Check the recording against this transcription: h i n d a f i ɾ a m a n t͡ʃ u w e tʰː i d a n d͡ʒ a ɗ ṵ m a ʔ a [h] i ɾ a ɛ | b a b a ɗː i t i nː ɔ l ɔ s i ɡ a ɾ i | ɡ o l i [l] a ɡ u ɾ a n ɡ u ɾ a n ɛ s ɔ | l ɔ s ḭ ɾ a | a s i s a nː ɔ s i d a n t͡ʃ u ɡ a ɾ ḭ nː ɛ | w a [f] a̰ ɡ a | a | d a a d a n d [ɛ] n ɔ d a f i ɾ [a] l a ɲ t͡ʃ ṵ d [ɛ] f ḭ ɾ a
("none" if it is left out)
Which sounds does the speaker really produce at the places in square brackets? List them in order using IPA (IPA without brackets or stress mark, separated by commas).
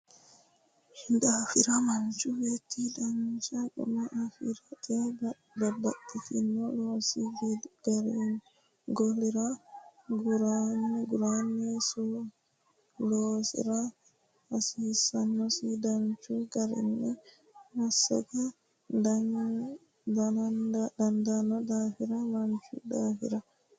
f, ɾ, s, a, a, a